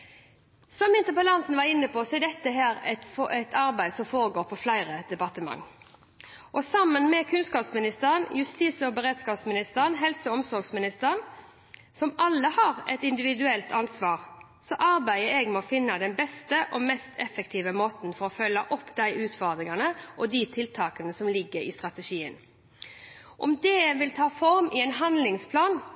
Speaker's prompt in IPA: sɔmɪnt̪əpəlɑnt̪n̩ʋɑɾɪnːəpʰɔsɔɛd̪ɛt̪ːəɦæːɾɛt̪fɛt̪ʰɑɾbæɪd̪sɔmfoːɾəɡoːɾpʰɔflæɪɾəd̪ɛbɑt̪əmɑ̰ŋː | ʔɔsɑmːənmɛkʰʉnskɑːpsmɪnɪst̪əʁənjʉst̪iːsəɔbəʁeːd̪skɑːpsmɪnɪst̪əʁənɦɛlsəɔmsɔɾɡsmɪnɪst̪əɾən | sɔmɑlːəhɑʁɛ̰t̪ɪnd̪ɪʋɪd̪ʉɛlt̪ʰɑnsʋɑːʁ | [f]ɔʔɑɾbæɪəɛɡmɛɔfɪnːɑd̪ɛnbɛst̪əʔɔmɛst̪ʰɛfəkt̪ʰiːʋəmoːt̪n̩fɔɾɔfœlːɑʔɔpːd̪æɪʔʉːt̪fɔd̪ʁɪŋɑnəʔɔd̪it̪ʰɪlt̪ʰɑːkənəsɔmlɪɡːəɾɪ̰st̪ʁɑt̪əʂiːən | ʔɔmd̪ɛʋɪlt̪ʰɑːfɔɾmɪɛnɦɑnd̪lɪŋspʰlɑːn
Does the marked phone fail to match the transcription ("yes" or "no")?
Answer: yes